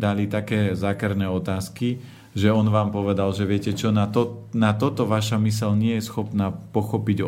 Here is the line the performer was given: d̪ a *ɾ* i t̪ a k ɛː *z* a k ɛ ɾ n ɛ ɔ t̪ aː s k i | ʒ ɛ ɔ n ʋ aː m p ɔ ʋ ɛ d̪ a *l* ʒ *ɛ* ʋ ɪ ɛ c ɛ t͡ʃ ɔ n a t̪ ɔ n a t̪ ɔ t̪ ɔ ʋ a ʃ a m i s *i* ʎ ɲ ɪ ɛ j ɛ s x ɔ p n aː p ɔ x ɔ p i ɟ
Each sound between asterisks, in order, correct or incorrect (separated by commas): incorrect, correct, correct, correct, incorrect